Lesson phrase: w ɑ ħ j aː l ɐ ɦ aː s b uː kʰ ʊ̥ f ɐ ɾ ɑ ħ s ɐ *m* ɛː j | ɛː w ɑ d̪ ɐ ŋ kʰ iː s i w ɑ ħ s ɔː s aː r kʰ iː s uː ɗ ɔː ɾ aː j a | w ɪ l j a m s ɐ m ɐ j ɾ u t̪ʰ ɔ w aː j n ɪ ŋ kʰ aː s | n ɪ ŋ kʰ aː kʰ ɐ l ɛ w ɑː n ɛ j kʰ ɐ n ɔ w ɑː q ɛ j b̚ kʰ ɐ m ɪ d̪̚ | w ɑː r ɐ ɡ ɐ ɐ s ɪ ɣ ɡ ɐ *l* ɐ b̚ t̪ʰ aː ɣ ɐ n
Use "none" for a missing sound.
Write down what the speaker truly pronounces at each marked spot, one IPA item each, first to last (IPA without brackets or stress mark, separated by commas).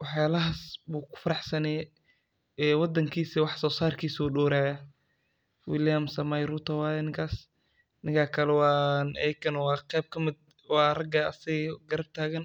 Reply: n, ɾ